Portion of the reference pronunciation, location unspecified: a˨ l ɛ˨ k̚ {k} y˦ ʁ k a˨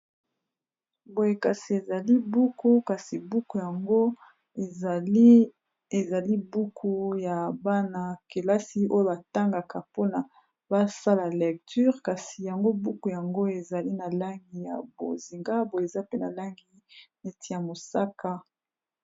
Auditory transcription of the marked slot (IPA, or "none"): t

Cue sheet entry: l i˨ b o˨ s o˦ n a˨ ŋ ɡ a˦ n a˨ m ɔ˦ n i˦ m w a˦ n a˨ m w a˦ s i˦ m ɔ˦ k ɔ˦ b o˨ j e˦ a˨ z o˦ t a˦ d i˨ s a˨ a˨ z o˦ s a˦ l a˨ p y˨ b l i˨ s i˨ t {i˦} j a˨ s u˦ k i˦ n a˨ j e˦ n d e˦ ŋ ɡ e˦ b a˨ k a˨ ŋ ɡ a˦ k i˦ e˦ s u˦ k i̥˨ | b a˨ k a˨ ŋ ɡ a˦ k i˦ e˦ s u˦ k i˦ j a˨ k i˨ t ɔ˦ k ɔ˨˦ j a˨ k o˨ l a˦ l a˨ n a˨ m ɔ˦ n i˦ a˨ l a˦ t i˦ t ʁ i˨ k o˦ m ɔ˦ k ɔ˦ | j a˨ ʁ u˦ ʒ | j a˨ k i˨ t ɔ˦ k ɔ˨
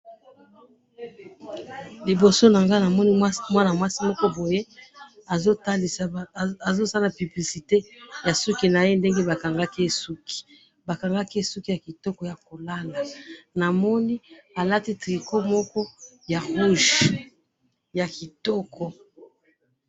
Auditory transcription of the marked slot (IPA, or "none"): e˦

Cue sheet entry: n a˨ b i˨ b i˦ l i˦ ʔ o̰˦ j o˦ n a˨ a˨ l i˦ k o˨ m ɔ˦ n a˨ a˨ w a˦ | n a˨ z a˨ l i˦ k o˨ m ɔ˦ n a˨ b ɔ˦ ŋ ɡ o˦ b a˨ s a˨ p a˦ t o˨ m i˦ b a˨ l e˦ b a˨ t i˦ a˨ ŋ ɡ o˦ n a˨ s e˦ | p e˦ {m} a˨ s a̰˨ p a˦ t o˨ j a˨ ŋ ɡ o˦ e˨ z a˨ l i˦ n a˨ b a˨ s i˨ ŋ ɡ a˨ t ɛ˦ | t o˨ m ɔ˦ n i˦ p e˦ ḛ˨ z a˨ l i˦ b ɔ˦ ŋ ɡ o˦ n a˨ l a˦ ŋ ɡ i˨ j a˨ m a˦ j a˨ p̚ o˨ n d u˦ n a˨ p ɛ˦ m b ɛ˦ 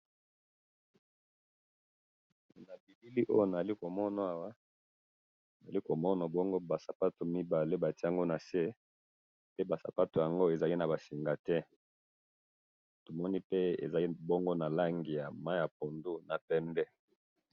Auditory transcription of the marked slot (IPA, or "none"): b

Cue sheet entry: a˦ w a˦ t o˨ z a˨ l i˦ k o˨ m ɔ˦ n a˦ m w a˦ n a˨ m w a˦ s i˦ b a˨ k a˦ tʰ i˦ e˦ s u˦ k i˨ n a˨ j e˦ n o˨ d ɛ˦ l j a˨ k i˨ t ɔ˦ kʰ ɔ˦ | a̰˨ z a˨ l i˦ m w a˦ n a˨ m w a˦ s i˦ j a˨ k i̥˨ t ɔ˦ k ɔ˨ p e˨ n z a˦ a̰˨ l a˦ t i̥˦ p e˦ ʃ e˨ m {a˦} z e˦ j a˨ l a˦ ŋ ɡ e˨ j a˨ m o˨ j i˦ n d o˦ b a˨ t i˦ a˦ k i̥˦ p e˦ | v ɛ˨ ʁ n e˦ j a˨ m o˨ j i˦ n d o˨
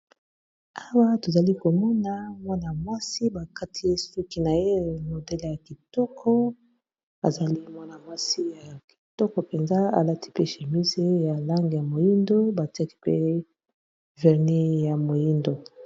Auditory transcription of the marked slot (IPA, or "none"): i˦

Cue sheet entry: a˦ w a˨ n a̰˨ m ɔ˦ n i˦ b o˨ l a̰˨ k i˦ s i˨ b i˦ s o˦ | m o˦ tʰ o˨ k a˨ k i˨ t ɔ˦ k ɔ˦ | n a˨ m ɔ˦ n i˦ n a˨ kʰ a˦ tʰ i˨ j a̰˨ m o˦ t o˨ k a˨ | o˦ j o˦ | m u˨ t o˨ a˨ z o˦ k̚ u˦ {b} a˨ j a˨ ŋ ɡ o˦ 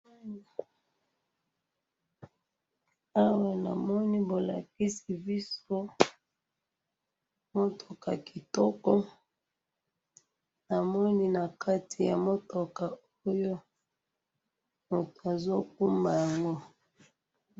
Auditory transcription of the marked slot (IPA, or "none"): m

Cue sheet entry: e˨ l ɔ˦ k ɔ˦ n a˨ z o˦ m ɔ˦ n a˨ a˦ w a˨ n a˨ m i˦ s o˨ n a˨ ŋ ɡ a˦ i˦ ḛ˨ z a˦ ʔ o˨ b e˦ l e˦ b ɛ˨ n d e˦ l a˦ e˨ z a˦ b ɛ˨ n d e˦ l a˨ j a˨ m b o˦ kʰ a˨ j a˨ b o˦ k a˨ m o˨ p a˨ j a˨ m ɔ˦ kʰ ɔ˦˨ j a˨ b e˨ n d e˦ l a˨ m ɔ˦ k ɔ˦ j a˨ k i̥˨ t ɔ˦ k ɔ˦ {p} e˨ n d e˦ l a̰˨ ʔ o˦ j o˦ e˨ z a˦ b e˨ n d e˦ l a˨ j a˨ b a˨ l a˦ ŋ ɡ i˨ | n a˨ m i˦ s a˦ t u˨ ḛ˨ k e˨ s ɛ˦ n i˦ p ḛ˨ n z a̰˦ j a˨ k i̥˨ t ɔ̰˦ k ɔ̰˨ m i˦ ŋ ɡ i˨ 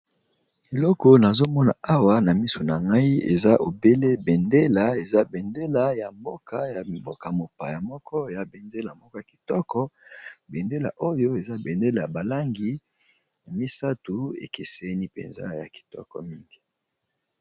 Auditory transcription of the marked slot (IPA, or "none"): b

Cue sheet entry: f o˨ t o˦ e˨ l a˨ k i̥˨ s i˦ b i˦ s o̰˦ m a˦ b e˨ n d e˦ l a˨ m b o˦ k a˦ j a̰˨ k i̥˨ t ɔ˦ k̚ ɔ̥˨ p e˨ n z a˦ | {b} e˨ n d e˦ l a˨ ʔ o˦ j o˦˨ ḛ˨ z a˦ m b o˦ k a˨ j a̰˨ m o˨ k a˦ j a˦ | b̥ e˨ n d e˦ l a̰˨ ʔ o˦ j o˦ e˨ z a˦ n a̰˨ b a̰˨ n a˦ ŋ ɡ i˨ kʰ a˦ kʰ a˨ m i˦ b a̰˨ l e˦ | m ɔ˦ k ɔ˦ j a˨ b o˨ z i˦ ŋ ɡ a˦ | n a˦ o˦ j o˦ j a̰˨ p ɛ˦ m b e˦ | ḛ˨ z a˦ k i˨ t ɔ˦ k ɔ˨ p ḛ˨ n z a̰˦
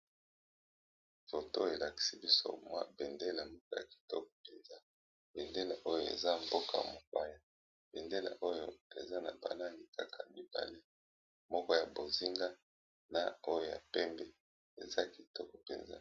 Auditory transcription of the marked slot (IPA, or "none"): b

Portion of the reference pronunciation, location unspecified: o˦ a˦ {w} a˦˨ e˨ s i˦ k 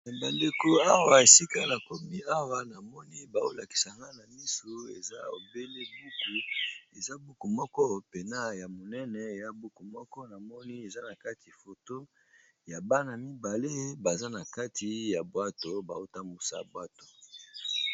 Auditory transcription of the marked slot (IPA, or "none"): w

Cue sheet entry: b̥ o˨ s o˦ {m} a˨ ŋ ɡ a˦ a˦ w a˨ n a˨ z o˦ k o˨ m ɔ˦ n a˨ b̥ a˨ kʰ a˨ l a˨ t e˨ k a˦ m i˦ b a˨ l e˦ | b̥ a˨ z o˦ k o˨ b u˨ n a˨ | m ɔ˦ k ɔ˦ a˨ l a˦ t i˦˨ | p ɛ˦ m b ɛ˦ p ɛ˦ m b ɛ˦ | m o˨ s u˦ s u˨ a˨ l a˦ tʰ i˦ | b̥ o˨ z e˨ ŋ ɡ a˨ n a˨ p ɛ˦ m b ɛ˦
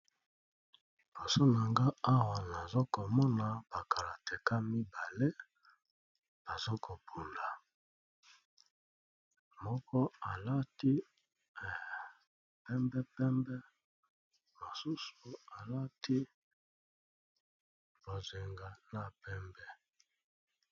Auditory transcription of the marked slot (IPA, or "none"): n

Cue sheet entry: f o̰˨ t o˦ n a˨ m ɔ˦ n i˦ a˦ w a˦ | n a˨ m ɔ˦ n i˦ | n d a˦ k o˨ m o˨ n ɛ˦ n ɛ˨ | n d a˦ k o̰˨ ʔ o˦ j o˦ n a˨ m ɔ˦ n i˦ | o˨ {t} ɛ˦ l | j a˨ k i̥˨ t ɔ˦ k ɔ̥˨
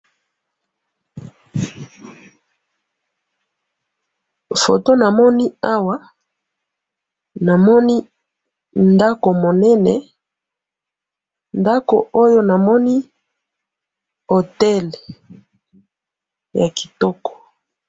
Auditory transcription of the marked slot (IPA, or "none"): t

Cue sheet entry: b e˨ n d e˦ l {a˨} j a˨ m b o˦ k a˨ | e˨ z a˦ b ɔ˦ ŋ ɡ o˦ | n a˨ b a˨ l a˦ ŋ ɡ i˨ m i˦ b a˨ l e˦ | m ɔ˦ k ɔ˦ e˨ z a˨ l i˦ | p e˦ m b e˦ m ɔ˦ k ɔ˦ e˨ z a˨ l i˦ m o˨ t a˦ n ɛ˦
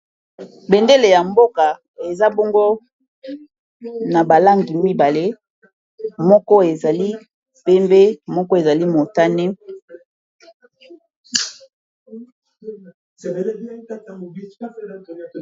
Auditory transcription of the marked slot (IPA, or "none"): e˨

